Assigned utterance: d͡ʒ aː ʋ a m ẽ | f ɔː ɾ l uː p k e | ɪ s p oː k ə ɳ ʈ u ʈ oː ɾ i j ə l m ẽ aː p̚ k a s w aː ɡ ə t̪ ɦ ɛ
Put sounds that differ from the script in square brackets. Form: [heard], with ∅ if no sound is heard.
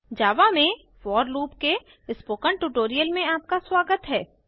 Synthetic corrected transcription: d͡ʒ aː ʋ a m ẽ | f ɔː ɾ l uː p k e | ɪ s p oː k ə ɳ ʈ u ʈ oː ɾ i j ə l m ẽ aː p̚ k a s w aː ɡ ə t̪ ɦ [ɛː]